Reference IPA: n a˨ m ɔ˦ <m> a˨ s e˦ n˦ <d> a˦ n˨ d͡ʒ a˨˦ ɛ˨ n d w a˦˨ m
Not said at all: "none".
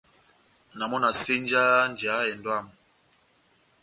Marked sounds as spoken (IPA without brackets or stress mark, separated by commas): n, d͡ʒ